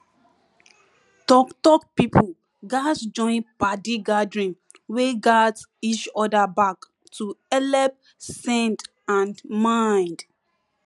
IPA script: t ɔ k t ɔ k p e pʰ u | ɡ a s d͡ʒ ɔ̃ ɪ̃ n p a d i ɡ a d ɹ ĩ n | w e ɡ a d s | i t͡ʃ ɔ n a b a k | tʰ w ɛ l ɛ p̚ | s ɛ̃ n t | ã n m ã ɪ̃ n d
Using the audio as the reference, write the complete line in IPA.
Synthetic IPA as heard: t ɔ k t ɔ k p i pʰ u | ɡ a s d͡ʒ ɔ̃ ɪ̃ n p a d i ɡ a d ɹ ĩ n | w e ɡ a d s | i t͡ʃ ɔ d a b a k | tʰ u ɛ l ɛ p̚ | s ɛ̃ n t | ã n m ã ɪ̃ n d